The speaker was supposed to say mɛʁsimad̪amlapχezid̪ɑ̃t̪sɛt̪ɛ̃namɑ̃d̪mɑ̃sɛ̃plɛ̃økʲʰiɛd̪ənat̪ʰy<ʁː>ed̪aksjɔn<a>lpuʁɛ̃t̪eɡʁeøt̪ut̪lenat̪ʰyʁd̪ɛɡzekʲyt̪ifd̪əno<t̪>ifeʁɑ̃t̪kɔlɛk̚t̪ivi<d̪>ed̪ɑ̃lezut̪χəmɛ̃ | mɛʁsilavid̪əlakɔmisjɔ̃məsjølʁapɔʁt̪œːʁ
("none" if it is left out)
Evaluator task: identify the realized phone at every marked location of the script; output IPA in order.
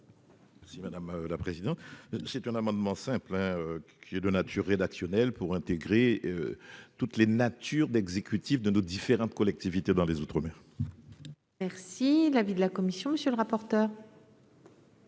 ʁː, ɛ, d̪, t̪

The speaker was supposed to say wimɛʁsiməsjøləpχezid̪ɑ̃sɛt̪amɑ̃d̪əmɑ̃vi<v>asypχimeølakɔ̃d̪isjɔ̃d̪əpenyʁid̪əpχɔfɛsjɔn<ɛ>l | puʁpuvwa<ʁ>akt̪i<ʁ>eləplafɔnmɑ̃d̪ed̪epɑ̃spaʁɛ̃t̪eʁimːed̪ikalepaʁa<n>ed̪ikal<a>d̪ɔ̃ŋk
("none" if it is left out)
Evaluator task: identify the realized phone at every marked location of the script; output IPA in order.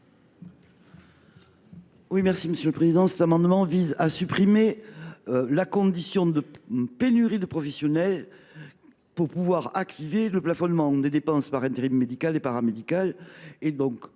z, ɛ, ʁ, v, m, e

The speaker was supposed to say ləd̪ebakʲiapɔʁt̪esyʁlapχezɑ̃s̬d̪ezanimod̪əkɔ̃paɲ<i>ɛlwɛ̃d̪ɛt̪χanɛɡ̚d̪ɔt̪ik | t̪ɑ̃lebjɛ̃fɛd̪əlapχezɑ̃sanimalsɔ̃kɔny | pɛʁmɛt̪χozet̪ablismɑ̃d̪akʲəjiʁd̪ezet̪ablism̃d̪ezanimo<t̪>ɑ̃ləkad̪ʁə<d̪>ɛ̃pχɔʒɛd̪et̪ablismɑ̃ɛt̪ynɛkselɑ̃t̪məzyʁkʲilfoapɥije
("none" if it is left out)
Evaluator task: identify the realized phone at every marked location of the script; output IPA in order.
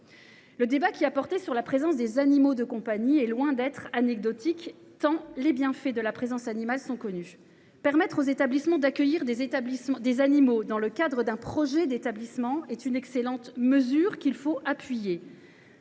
i, d̪, d̪

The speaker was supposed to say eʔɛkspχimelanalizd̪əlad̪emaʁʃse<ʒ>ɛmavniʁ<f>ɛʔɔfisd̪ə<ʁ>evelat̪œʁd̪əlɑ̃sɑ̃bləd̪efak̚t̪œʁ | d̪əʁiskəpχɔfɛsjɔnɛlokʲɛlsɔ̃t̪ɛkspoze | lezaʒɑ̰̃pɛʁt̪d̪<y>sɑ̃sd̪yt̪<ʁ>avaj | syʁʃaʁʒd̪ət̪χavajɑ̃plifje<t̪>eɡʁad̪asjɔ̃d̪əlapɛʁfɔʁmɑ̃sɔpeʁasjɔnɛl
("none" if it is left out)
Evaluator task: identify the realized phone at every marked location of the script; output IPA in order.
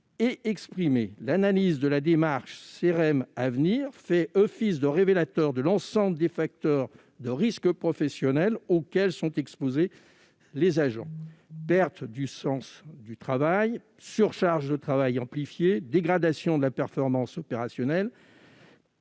ʁ, f, ʁ, y, χ, d̪

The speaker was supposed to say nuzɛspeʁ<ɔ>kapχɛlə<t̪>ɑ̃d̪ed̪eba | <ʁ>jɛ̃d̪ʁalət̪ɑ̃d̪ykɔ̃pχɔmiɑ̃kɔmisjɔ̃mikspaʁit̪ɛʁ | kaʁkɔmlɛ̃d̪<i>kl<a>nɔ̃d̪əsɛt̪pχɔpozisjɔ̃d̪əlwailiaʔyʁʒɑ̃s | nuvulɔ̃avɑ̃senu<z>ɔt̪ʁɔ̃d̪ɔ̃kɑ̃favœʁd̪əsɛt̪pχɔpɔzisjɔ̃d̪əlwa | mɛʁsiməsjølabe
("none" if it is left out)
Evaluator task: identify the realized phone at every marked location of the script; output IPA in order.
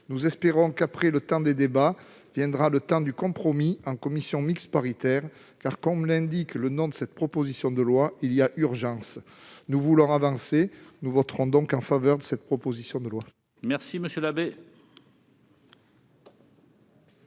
ɔ̃, t̪, v, i, ə, v

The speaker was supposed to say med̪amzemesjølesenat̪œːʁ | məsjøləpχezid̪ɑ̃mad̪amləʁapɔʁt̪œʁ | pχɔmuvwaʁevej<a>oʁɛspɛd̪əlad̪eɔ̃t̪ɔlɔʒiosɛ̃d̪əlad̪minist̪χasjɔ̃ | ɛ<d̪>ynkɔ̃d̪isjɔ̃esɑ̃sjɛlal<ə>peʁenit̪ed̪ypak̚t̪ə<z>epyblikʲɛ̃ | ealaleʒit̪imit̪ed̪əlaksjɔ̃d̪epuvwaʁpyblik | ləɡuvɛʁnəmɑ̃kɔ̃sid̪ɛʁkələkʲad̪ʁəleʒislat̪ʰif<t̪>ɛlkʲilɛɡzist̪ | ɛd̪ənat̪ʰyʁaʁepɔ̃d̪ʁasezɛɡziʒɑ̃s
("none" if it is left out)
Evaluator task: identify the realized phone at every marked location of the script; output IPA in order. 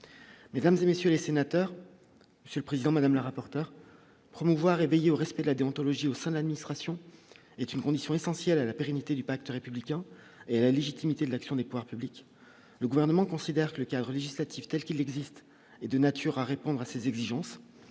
e, t̪, a, ʁ, t̪

